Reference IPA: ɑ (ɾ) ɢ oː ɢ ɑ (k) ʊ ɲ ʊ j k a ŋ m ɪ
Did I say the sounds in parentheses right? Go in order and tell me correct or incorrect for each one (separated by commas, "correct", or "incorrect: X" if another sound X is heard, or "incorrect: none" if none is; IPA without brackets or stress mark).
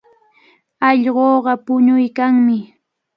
incorrect: ʎ, incorrect: p